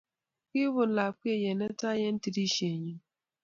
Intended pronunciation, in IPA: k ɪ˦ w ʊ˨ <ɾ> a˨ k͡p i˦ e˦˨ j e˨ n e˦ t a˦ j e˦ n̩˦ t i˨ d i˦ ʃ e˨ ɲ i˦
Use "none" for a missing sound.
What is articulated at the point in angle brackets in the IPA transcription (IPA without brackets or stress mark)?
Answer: l